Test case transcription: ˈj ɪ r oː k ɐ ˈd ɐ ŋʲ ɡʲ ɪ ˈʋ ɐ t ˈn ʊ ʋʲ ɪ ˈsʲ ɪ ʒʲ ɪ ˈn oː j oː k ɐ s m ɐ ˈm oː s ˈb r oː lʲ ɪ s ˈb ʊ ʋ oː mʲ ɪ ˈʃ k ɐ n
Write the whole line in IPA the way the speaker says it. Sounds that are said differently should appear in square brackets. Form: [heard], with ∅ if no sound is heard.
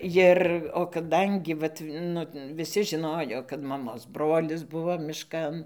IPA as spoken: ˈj ɪ r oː k ɐ ˈd ɐ ŋʲ ɡʲ ɪ ˈʋ ɐ t ˈn ʊ ʋʲ ɪ ˈsʲ ɪ ʒʲ ɪ ˈn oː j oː k ɐ [t] m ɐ ˈm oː s ˈb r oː lʲ ɪ s ˈb ʊ ʋ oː mʲ ɪ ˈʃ k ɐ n